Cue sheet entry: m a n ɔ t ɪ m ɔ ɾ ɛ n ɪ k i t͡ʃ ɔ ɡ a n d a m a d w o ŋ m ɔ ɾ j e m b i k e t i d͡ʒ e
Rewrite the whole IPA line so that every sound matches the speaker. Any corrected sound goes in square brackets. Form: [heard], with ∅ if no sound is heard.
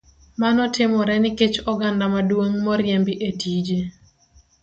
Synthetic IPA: m a n ɔ t ɪ m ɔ ɾ ɛ n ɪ k [e] t͡ʃ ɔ ɡ a n d a m a d w o ŋ m ɔ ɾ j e m b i [ʔ] e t i d͡ʒ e